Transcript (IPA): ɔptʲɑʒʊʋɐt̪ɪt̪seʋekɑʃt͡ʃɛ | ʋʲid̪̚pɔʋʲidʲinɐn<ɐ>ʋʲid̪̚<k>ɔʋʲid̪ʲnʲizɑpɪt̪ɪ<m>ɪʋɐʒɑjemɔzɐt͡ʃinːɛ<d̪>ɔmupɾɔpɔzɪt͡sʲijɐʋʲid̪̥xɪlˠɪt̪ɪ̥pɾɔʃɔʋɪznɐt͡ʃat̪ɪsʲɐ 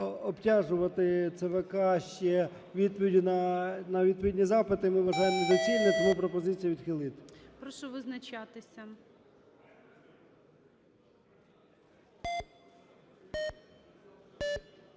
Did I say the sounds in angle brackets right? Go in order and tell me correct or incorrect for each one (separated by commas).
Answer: correct, incorrect, correct, incorrect